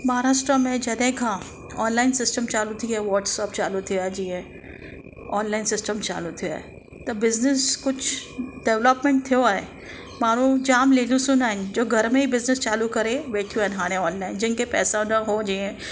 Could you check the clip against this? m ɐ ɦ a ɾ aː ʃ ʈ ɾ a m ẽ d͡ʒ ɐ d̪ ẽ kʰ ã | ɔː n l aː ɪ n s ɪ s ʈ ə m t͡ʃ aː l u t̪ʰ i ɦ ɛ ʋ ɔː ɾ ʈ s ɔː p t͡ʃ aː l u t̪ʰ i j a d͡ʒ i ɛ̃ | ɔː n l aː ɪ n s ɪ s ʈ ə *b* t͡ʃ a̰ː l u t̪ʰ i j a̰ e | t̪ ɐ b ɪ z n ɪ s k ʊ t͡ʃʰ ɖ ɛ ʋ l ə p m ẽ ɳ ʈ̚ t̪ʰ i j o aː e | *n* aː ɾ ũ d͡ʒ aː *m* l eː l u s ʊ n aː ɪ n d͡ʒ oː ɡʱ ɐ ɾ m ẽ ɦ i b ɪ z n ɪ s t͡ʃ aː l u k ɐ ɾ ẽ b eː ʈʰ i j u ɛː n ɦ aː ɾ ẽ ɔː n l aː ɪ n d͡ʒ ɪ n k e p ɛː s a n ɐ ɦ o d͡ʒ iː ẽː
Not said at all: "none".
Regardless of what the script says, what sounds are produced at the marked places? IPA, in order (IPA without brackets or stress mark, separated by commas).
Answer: m, m, m